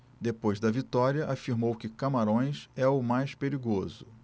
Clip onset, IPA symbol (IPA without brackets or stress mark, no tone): d̪